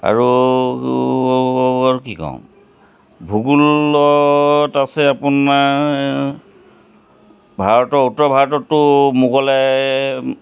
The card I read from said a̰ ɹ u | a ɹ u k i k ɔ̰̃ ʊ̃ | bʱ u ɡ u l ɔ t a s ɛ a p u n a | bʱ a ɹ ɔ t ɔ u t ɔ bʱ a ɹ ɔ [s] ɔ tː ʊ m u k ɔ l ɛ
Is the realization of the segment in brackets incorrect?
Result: yes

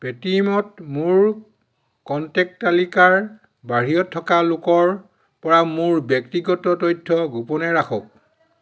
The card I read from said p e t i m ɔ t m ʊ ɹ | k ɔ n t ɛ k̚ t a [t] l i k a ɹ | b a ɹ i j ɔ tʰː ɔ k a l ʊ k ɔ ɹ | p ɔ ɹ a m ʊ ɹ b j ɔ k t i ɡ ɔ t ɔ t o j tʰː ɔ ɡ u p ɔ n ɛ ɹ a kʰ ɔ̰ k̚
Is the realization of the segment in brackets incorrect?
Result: yes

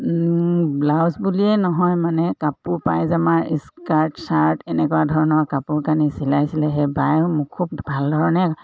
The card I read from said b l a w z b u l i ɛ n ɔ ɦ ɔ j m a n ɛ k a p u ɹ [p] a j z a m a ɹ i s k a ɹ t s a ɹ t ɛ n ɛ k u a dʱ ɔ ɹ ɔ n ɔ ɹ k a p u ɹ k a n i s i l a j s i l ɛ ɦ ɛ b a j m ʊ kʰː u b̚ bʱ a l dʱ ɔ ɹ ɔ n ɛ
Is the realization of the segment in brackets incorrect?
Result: no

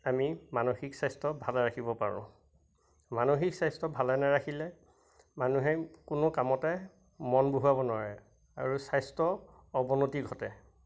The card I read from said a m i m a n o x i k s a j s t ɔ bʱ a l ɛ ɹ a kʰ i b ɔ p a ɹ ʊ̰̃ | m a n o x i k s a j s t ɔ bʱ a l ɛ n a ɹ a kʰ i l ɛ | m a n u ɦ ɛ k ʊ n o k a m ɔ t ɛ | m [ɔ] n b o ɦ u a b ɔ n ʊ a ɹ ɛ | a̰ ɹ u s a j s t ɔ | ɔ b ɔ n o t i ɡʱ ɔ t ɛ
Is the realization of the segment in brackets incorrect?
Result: no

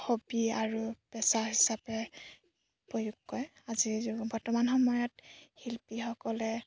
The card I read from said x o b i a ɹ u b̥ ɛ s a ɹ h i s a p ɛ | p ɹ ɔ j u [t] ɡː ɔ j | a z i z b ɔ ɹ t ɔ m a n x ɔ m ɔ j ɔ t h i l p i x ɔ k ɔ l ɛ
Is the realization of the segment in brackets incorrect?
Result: yes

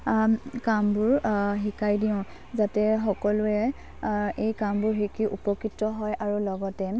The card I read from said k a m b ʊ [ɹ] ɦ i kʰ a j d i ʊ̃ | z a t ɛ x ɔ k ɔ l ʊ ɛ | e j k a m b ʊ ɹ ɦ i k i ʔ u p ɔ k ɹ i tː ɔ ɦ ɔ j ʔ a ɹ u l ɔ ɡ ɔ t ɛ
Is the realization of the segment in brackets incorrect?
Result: no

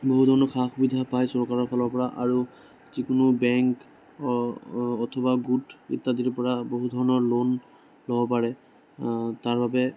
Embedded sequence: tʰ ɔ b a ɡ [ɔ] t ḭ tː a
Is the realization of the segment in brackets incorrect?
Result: yes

